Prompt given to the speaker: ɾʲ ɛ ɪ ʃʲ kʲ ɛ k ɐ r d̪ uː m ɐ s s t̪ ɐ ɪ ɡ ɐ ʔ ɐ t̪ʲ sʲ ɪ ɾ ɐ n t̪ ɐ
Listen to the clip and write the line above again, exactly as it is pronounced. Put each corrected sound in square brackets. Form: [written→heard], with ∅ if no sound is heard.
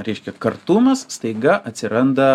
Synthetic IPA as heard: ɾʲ ɛ ɪ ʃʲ kʲ ɛ k ɐ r [d̪→t̪] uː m ɐ s s t̪ ɐ ɪ ɡ ɐ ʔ ɐ t̪ʲ sʲ ɪ ɾ ɐ n [t̪→d̪] ɐ

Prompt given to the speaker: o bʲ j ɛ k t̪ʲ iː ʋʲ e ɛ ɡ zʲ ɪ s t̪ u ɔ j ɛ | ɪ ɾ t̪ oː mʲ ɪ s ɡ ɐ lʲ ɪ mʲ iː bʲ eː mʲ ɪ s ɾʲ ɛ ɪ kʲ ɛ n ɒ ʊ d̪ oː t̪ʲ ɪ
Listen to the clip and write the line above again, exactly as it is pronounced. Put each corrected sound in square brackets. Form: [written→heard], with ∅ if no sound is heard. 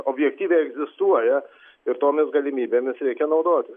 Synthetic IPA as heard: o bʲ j ɛ k t̪ʲ iː ʋʲ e ɛ ɡ zʲ ɪ s t̪ u ɔ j ɛ | ɪ ɾ t̪ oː mʲ ɪ s ɡ ɐ lʲ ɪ mʲ iː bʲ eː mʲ ɪ s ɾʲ ɛ ɪ kʲ ɛ n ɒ ʊ d̪ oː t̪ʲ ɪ

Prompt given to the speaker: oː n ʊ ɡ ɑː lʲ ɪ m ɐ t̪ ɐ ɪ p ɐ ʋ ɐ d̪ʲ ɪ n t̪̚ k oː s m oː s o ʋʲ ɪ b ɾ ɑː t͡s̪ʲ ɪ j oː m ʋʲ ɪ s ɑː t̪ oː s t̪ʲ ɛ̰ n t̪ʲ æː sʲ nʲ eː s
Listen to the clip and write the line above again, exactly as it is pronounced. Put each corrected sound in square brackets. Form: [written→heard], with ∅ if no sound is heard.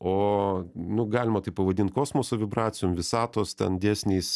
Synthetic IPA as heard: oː n ʊ ɡ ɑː lʲ ɪ m ɐ t̪ ɐ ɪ p ɐ ʋ ɐ d̪ʲ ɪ n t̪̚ k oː s m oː s o ʋʲ ɪ b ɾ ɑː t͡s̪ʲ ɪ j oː m ʋʲ ɪ s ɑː t̪ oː s t̪ʲ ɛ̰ n [t̪ʲ→d̪ʲ] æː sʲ nʲ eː s

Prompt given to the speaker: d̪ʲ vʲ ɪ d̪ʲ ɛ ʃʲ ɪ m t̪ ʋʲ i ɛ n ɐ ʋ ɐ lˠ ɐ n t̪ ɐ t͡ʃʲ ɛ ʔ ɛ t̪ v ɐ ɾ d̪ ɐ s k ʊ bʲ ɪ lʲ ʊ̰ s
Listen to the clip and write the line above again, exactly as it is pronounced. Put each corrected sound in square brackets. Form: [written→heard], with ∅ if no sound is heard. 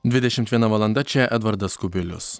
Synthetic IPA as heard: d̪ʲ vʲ ɪ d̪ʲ ɛ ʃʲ ɪ m t̪ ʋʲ i ɛ n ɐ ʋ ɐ lˠ ɐ n [t̪→d̪] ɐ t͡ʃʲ ɛ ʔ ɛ [t̪→d̪] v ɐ ɾ d̪ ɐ s k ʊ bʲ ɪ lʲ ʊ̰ s

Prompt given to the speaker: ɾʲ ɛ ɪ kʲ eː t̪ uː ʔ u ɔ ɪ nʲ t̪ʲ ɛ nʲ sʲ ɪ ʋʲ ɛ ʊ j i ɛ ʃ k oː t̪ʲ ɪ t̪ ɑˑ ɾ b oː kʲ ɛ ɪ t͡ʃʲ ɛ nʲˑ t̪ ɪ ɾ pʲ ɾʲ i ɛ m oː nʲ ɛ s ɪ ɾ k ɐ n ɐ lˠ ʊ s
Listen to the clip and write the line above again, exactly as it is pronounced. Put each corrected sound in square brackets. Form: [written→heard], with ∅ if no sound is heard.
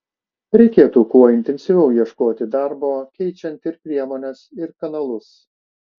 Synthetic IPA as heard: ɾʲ ɛ ɪ kʲ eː t̪ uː [ʔ→k] u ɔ ɪ nʲ t̪ʲ ɛ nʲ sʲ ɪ ʋʲ ɛ ʊ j i ɛ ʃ k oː t̪ʲ ɪ [t̪→d̪] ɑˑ ɾ b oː kʲ ɛ ɪ t͡ʃʲ ɛ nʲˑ t̪ ɪ ɾ pʲ ɾʲ i ɛ m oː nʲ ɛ s ɪ ɾ k ɐ n ɐ lˠ ʊ s

